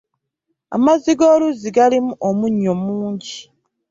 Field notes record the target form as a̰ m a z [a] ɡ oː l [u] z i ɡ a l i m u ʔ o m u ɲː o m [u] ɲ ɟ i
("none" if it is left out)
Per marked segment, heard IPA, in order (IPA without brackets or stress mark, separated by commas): i, u, uː